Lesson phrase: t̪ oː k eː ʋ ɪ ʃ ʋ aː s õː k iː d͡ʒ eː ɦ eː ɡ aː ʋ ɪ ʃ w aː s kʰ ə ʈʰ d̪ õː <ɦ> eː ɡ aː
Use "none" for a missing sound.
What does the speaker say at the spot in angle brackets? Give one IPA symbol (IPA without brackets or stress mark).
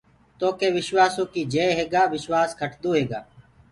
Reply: ɦ